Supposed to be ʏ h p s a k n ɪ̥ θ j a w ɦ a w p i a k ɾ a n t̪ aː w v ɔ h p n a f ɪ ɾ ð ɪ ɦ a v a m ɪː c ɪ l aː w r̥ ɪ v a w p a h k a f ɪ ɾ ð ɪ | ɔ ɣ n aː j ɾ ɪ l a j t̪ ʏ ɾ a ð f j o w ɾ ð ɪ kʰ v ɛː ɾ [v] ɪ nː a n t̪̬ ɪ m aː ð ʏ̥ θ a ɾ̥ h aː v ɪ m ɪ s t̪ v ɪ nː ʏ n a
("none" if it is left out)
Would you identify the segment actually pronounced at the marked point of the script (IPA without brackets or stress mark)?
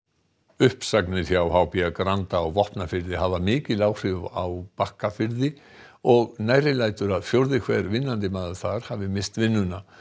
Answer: v